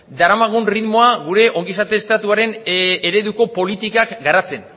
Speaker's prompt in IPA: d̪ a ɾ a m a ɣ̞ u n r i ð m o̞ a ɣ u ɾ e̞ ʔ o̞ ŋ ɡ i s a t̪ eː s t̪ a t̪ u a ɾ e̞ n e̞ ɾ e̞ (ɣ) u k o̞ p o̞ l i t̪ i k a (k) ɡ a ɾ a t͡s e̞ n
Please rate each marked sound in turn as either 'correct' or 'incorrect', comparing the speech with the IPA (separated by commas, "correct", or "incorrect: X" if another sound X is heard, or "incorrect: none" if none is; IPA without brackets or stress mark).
incorrect: ð, correct